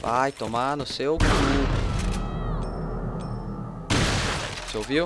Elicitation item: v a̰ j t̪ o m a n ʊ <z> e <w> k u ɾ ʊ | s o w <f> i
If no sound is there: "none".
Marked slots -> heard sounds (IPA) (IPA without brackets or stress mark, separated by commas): s, w, v